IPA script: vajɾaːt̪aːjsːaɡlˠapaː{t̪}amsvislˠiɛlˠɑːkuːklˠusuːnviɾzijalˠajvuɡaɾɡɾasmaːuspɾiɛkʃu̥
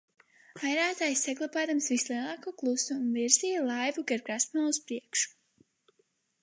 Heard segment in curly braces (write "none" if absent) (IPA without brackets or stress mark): d̪